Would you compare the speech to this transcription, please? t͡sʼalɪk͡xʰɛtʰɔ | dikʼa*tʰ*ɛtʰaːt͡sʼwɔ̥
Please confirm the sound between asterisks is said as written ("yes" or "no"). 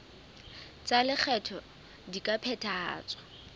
no